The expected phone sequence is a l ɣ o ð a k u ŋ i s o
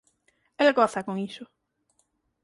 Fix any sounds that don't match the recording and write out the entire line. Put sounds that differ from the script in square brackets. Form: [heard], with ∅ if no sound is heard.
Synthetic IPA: [e] l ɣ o [θ] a k [o] ŋ i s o